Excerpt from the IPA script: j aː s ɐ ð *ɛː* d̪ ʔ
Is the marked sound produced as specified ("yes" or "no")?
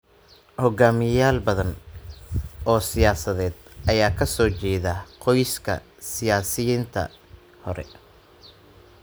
yes